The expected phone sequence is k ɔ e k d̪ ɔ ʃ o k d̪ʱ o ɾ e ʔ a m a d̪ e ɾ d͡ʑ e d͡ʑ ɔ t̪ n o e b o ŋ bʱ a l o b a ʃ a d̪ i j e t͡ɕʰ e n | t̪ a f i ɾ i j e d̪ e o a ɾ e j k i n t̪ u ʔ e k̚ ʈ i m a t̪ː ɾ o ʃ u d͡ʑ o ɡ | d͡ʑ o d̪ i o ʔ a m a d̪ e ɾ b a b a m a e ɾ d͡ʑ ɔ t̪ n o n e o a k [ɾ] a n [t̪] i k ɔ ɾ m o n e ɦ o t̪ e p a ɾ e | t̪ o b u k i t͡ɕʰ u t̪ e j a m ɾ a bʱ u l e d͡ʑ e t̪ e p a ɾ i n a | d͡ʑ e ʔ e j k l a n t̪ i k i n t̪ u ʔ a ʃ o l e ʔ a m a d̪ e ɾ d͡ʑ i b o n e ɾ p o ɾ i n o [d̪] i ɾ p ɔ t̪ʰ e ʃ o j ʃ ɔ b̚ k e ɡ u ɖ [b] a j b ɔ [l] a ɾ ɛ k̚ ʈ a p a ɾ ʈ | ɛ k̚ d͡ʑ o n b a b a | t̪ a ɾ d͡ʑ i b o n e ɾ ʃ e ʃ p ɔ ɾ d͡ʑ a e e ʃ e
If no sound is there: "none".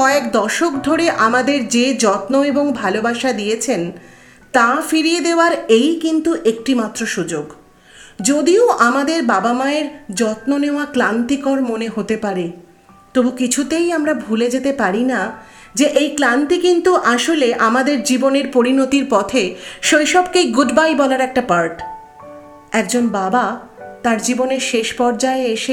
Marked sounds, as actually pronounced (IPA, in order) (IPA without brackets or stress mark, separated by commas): l, t̪, t̪, b, l